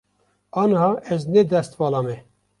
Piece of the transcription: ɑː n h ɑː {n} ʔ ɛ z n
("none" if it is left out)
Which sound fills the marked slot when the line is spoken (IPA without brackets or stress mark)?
none